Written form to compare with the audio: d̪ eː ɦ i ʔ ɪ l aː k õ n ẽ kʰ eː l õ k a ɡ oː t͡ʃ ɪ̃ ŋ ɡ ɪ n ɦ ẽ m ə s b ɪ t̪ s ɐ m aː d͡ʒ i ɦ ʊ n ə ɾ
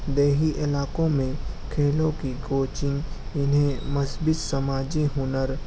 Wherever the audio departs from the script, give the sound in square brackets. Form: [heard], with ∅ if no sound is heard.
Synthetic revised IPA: d̪ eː ɦ i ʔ ɪ l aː k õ [m] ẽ kʰ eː l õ k [i] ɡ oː t͡ʃ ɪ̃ ŋ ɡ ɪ n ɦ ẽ m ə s b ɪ t̪ s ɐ m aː d͡ʒ i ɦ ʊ n ə ɾ